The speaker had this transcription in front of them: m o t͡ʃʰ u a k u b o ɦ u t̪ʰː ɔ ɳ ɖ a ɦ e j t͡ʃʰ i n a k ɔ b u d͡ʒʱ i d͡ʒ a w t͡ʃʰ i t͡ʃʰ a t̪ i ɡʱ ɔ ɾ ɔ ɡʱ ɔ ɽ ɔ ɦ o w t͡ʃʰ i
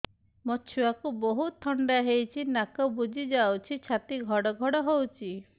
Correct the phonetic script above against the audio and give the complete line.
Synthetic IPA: m ɔ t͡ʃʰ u a k u b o ɦ u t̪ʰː ɔ ɳ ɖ a ɦ e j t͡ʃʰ i n a k ɔ b u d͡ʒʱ i d͡ʒ a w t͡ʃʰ i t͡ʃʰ a t̪ i ɡʱ ɔ ɽ ɔ ɡʱ ɔ ɽ ɔ ɦ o w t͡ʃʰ i